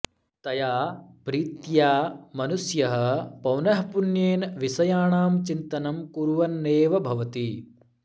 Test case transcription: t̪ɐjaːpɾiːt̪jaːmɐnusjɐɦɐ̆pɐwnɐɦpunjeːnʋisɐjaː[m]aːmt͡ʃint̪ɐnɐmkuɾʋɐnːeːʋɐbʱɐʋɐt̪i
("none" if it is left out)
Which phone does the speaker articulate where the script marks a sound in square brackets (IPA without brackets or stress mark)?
ɳ